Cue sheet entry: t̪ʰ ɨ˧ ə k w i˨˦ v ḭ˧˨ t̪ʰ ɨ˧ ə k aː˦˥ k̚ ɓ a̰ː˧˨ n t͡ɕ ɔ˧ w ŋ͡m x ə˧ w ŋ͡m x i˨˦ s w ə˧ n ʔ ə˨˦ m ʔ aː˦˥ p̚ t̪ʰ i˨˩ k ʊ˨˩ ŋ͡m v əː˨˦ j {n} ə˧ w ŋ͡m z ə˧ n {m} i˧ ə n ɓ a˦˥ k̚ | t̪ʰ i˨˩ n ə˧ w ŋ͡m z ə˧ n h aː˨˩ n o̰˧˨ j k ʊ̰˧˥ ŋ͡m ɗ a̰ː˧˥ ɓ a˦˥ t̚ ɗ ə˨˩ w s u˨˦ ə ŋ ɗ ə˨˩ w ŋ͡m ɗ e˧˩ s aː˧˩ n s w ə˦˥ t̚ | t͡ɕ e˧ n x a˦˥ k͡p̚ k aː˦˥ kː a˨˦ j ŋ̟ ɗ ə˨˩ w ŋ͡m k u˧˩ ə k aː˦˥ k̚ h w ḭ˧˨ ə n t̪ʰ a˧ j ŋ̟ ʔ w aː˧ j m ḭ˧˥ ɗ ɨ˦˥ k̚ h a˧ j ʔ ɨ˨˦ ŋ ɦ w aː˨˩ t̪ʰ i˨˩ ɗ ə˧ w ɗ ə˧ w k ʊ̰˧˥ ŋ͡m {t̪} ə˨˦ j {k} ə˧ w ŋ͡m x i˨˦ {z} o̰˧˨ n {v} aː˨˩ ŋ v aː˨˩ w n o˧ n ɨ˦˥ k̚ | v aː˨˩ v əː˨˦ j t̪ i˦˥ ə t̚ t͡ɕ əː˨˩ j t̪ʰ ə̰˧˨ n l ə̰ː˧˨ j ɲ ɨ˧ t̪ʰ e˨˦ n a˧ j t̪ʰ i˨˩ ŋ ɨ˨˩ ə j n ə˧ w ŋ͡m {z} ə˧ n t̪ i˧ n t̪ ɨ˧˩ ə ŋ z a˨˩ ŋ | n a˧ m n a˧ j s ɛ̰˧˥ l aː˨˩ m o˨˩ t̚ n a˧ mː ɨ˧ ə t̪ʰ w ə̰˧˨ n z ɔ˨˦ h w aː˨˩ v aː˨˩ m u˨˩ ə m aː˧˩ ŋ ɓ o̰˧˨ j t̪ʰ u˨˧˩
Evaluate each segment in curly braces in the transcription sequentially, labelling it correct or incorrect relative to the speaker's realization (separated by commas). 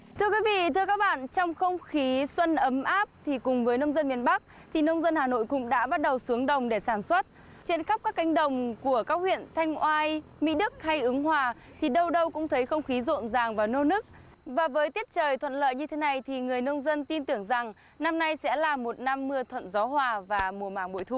correct, correct, incorrect, incorrect, correct, incorrect, correct